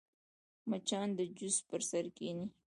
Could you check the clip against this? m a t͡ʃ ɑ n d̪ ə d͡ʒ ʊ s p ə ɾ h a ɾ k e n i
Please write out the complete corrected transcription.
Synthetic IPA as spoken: m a t͡ʃ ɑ n d̪ ə d͡ʒ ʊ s p ə ɾ s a ɾ k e n i